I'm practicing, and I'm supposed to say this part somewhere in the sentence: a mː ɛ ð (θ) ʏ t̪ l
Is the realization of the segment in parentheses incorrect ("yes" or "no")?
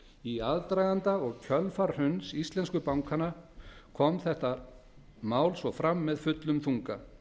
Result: yes